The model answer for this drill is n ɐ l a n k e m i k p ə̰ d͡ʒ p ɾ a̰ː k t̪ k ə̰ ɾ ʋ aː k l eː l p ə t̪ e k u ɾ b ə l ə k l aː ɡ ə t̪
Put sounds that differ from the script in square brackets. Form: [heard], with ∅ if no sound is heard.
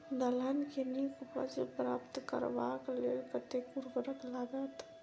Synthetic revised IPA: n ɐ l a n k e [n] i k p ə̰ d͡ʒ p ɾ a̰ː [p] t̪ k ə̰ ɾ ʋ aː k l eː l p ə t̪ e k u ɾ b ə [ɾ] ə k l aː ɡ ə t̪

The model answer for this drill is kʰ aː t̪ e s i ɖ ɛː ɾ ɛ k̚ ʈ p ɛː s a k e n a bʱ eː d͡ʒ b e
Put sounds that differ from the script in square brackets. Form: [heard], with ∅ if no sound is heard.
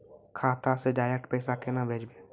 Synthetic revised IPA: kʰ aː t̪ [a] s [e] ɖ [aː] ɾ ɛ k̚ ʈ p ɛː s a k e n a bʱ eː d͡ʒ b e

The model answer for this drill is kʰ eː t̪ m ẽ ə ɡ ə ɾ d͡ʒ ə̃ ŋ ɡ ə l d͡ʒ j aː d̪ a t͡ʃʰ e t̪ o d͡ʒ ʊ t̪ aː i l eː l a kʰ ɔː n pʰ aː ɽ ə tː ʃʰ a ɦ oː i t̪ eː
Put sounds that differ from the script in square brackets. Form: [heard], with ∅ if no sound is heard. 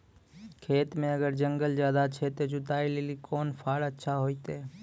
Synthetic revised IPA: kʰ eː t̪ m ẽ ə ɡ ə ɾ d͡ʒ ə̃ ŋ ɡ ə l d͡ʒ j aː d̪ a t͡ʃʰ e t̪ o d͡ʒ ʊ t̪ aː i l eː l [i] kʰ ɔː n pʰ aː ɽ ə tː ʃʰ a ɦ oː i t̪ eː

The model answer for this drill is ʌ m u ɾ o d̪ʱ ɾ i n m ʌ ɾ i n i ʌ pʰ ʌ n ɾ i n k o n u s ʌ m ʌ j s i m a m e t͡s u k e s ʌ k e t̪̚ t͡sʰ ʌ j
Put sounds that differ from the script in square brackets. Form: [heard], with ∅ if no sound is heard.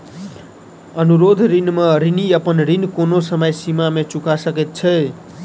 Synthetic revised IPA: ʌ [n] u ɾ o d̪ʱ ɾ i n m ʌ ɾ i n i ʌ [p] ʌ n ɾ i n k o n [o] s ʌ m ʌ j s i m a m e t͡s u k [a] s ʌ k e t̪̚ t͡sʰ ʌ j

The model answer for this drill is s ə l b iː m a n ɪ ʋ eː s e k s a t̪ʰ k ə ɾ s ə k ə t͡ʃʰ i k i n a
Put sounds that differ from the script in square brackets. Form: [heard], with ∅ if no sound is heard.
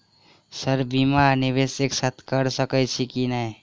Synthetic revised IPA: s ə [ɾ] b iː m a n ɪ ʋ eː s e k s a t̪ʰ k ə ɾ s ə k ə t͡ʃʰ i k i n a

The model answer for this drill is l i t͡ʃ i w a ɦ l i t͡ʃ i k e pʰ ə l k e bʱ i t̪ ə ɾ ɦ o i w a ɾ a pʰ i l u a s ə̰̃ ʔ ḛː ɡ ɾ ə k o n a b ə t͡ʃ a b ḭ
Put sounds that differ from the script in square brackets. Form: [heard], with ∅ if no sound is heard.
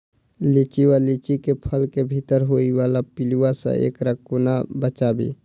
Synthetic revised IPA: l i t͡ʃ i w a [∅] l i t͡ʃ i k e pʰ ə l k e bʱ i t̪ ə ɾ ɦ o i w a [l] a [p] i l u a s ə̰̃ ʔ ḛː [k] ɾ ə k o n a b ə t͡ʃ a b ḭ

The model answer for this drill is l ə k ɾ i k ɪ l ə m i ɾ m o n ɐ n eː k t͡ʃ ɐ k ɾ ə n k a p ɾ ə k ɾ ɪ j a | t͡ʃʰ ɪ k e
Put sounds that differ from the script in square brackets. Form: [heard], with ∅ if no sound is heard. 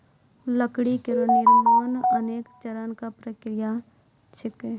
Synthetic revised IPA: l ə k [ɽ] i k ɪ [ɾ] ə [n] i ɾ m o n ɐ n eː k t͡ʃ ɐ [∅] ɾ ə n k a p ɾ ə k ɾ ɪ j a | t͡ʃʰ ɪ k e

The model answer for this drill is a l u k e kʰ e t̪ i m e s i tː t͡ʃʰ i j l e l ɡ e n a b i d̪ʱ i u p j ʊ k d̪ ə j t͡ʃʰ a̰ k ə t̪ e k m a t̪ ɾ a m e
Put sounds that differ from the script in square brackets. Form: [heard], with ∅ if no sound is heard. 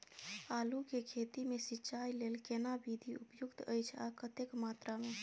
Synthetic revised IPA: a l u k e kʰ e t̪ i m e s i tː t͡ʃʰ [a] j l e l [k] e n a b i d̪ʱ i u p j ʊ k [t̪] ə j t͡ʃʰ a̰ k ə t̪ e k m a t̪ ɾ a m e

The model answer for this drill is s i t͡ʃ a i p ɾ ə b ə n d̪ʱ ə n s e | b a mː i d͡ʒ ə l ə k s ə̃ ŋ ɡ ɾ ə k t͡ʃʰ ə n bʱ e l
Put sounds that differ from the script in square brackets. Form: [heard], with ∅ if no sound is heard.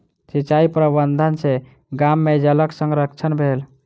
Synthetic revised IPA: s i t͡ʃ a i p ɾ ə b ə n d̪ʱ ə n s e | [ɡ] a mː [e] d͡ʒ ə l ə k s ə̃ ŋ ɡ ɾ ə k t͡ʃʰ ə n bʱ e l

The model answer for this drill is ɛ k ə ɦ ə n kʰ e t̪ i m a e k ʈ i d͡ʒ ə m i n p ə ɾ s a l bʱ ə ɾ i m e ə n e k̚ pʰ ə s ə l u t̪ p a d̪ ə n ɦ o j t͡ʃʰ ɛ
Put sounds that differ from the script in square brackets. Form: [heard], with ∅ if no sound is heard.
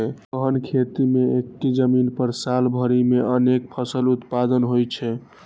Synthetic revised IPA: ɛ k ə ɦ ə n kʰ e t̪ i m [e] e k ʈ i d͡ʒ ə m i n p ə ɾ s a l bʱ ə ɾ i m e ə n e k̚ pʰ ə s ə l u t̪ p a d̪ ə n ɦ o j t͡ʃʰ ɛ

